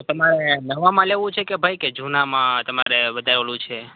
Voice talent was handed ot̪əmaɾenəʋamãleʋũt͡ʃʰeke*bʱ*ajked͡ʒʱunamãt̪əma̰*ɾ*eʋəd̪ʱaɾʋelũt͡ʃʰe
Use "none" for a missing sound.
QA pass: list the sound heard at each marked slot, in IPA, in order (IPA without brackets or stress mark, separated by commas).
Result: bʱ, ɾ